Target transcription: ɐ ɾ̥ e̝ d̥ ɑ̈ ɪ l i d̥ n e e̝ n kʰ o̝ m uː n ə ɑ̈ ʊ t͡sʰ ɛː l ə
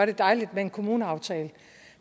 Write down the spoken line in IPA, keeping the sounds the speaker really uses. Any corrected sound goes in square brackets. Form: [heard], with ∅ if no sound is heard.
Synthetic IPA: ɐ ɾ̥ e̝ d̥ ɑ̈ ɪ l i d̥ [m] e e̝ n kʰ o̝ m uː n ə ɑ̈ ʊ t͡sʰ ɛː l ə